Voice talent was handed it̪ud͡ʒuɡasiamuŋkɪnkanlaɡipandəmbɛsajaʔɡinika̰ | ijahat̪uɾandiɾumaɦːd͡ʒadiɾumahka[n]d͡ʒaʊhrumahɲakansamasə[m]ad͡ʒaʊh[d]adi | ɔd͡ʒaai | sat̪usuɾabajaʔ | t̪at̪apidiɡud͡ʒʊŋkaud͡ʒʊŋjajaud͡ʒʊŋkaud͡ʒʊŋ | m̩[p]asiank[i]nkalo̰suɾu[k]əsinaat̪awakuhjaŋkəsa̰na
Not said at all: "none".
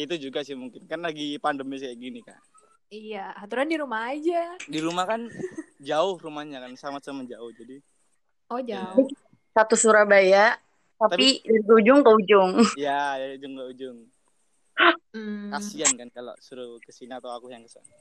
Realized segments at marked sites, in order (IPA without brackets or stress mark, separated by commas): n, m, d͡ʒ, k, a, k